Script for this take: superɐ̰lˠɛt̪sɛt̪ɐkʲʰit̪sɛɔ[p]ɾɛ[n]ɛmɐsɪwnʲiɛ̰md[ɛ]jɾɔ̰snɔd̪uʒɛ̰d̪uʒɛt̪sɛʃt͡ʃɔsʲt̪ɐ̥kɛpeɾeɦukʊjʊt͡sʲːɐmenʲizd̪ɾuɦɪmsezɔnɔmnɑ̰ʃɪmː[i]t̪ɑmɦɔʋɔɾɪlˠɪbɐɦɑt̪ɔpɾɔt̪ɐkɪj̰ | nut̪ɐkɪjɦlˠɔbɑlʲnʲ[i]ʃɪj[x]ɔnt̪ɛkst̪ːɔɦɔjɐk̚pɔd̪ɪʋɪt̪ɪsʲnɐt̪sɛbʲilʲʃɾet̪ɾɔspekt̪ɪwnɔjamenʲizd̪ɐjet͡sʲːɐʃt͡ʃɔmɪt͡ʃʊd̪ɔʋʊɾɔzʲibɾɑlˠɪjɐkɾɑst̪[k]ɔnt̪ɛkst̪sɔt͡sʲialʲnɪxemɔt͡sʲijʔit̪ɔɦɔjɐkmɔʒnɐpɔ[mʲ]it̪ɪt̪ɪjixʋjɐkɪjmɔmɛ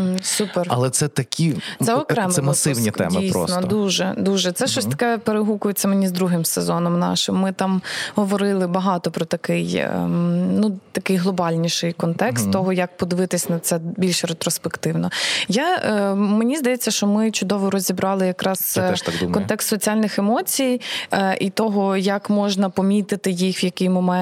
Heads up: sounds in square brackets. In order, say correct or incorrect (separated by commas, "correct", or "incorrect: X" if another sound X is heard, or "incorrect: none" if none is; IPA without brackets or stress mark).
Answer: incorrect: k, incorrect: m, incorrect: i, incorrect: ɪ, correct, incorrect: k, correct, correct